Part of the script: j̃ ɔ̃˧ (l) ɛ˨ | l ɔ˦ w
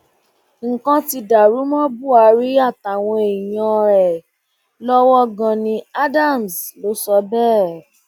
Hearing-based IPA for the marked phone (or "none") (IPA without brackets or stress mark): ɾ